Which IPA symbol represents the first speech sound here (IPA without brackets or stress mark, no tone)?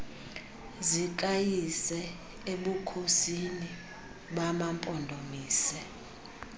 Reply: z